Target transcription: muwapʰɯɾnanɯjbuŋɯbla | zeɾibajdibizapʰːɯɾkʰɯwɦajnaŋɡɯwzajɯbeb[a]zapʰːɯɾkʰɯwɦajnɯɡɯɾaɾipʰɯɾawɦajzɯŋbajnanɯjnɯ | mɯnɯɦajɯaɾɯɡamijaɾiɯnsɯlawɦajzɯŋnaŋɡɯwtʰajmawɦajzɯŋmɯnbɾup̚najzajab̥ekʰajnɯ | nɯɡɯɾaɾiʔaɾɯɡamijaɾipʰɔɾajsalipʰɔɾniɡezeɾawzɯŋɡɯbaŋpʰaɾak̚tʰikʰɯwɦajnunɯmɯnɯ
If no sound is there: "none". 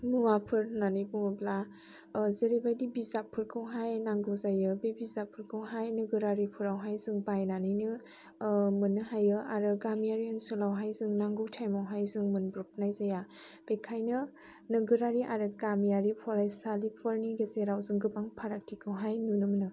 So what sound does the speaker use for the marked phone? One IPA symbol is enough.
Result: i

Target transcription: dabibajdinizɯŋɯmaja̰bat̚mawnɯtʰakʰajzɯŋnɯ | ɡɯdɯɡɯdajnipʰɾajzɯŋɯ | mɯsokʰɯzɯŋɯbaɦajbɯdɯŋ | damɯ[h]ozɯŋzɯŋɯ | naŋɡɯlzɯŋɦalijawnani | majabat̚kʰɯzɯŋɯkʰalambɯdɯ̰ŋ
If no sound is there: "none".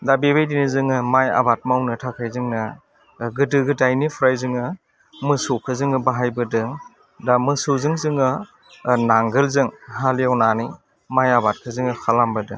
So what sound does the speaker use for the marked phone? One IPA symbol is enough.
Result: s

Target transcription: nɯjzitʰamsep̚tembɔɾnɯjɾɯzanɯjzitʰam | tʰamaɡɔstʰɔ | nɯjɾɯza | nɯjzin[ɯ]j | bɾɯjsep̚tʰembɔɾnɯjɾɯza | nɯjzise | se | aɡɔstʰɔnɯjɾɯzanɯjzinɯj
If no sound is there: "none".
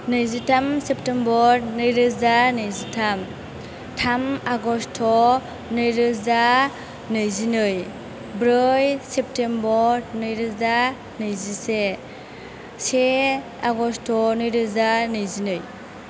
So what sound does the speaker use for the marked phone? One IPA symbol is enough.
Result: ɯ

